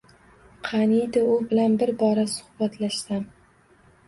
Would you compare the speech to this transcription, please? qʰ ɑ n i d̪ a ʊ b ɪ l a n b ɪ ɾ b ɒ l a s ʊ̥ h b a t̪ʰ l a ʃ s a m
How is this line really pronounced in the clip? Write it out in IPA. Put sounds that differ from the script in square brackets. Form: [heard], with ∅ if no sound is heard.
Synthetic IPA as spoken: qʰ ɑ n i d̪ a ʊ b ɪ l a n b ɪ ɾ b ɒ [ɾ] a s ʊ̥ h b a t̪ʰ l a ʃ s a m